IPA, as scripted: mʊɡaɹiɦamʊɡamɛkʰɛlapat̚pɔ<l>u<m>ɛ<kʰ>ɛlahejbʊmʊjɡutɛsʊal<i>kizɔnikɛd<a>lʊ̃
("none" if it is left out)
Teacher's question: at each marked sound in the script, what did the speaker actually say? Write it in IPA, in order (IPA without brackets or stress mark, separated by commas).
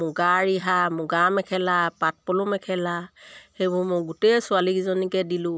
l, m, kʰ, i, i